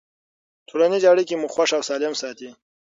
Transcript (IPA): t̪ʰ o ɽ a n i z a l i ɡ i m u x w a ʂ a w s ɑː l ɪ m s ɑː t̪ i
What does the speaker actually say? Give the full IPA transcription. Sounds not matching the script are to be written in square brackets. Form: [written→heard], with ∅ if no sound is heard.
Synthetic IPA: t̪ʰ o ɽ a n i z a [l→ɽ] i [ɡ→k] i m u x w a ʂ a w s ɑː l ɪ m s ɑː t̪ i